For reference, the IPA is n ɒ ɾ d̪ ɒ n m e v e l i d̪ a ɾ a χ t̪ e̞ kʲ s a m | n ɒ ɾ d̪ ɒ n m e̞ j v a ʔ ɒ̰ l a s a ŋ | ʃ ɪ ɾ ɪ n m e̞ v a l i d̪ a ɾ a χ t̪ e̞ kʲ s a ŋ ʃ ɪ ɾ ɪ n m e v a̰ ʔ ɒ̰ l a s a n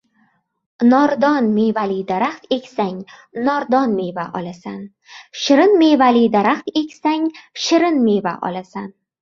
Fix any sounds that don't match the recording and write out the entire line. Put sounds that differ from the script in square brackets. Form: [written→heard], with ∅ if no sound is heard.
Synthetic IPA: n ɒ ɾ d̪ ɒ n m e v [e→a] l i d̪ a ɾ a χ t̪ e̞ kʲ s a [m→ŋ] | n ɒ ɾ d̪ ɒ n m e̞ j v a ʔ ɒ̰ l a s a [ŋ→n] | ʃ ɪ ɾ ɪ n m e̞ v a l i d̪ a ɾ a χ t̪ e̞ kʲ s a ŋ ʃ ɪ ɾ ɪ n m e v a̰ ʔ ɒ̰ l a s a n